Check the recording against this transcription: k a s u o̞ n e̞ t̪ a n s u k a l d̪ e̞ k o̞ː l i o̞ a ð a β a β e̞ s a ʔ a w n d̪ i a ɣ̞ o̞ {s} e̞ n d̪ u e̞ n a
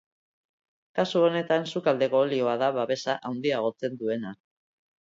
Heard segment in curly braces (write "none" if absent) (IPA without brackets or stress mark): t͡s